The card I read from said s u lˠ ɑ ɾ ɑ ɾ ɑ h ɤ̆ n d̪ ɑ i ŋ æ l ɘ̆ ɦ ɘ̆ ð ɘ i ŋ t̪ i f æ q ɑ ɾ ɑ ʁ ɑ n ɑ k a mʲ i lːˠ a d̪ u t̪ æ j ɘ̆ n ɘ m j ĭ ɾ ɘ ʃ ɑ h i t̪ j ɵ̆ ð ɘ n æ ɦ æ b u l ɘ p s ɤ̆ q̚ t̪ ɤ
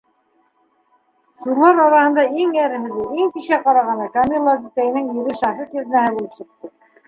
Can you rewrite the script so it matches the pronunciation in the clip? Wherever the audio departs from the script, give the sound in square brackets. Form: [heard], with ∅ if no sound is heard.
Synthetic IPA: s u lˠ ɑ ɾ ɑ ɾ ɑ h ɤ̆ n d̪ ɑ i ŋ æ [ɾ] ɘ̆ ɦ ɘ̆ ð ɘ i ŋ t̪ i [ʃ] æ q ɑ ɾ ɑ ʁ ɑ n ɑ k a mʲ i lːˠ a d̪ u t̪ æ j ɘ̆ n ɘ [ŋ] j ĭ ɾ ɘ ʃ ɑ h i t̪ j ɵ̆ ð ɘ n æ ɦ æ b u l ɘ p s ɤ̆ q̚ t̪ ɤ